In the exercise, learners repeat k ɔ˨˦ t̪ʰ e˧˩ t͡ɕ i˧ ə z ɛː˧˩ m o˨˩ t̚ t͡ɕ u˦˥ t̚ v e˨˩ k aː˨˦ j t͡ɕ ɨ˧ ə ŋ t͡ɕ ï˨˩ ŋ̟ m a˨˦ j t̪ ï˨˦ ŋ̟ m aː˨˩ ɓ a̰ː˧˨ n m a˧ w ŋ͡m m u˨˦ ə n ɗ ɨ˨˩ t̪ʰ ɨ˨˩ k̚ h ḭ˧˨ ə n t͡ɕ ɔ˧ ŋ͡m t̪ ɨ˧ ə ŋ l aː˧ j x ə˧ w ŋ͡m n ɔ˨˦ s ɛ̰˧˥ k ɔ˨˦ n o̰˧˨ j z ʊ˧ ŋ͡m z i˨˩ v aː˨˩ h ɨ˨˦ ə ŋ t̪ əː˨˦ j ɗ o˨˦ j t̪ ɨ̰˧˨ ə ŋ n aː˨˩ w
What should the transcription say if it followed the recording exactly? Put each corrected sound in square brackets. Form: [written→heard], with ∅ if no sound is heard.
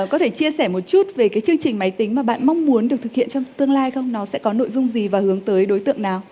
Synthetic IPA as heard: k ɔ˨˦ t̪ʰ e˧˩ t͡ɕ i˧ ə [z→s] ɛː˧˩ m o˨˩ t̚ t͡ɕ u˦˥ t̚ v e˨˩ k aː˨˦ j t͡ɕ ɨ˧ ə ŋ t͡ɕ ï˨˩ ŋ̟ m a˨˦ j t̪ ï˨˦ ŋ̟ m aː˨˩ ɓ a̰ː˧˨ n m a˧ w ŋ͡m m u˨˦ ə n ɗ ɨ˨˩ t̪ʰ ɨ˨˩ k̚ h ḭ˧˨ ə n t͡ɕ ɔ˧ ŋ͡m t̪ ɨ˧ ə ŋ l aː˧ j x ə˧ w ŋ͡m n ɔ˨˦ s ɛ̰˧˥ k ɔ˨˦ n o̰˧˨ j z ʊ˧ ŋ͡m z i˨˩ v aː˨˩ h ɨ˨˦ ə ŋ t̪ əː˨˦ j ɗ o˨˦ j t̪ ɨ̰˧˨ ə ŋ n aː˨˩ w